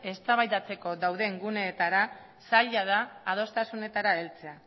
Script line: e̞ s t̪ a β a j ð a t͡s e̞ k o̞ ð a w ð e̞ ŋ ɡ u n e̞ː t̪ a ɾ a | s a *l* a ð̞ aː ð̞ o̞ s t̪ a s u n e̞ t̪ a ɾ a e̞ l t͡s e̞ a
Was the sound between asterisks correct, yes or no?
no